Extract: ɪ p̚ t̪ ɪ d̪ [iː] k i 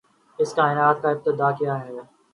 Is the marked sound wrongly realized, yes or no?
yes